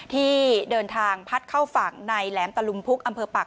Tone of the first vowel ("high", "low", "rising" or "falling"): falling